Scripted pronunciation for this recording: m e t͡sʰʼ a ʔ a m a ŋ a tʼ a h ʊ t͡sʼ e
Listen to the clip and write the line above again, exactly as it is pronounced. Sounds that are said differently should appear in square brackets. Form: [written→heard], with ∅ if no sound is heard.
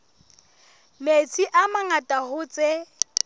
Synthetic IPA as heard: m e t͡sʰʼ [a→i] ʔ a m a ŋ a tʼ a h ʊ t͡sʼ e